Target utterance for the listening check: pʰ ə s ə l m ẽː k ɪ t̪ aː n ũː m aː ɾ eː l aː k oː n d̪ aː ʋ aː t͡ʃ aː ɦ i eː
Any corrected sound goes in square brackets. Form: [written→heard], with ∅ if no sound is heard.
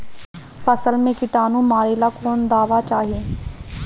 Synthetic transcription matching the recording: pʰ ə s ə l m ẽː k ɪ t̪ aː n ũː m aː ɾ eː l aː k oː n d̪ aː ʋ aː t͡ʃ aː ɦ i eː